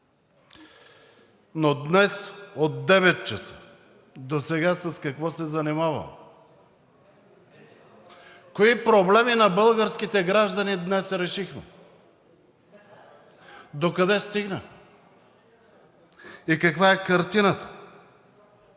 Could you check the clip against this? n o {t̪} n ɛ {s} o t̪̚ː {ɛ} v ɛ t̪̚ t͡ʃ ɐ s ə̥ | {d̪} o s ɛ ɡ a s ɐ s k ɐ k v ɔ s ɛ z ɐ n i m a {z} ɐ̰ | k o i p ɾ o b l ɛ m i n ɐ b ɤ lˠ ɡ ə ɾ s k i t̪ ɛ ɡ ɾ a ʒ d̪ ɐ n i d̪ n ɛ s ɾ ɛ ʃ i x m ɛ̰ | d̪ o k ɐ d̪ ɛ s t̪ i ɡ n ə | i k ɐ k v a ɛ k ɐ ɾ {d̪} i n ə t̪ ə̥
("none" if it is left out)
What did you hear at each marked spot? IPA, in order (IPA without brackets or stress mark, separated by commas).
d̪, s, ɛ, d̪, v, t̪